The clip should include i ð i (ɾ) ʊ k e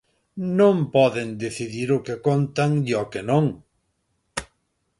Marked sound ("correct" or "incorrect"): correct